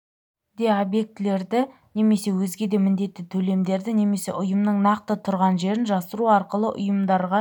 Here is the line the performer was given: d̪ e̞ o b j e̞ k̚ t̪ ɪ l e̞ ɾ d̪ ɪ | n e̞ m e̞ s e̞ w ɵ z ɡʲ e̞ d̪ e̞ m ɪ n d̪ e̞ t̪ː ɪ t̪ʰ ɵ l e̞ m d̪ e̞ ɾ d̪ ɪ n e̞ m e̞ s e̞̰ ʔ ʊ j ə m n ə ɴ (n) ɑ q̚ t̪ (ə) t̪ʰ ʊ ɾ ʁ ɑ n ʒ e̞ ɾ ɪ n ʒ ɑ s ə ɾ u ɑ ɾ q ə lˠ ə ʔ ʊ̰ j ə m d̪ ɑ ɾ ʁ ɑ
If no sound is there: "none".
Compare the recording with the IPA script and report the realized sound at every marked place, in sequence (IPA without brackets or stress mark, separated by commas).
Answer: n, ə